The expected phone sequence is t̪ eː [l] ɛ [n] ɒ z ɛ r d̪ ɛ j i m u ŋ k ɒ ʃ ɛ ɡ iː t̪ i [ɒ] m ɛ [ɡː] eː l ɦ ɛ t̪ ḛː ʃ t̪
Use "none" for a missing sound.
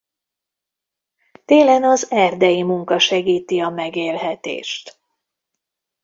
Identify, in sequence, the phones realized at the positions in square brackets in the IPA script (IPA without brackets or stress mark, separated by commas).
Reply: l, n, ɒ, ɡ